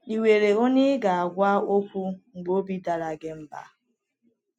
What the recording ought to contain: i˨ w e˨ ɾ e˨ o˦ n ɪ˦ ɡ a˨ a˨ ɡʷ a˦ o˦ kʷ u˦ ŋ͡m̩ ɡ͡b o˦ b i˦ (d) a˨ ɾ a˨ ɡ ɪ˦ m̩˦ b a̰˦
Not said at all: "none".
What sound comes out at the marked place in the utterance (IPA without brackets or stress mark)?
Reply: d